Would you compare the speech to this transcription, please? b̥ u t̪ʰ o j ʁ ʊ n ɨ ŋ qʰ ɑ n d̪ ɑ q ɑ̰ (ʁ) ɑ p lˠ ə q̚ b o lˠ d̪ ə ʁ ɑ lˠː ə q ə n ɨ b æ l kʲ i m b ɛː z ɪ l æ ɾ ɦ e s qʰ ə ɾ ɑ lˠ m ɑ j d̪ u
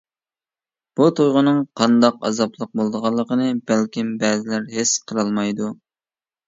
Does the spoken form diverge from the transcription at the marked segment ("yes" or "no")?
yes